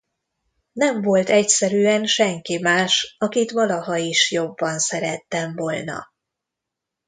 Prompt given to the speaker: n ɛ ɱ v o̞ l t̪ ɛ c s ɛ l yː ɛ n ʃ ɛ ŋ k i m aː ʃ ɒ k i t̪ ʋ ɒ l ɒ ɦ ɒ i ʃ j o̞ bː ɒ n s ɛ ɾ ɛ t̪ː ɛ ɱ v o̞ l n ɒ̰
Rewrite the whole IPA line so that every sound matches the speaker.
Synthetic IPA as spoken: n ɛ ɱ v o̞ l t̪ ɛ c s ɛ ɾ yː ɛ n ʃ ɛ ŋ k i m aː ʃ ɒ k i t̪ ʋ ɒ l ɒ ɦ ɒ i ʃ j o̞ bː ɒ n s ɛ ɾ ɛ t̪ː ɛ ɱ v o̞ l n ɒ̰